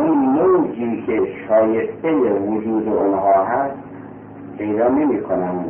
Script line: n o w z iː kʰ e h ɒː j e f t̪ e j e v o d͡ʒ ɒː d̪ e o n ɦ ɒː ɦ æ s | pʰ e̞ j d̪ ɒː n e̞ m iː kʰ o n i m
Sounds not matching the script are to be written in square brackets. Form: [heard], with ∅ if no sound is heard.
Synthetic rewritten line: n o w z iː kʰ e [ʃ] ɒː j e [s] t̪ e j e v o d͡ʒ [uː] d̪ e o n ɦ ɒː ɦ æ s | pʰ e̞ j d̪ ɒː n e̞ m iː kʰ o n [æ] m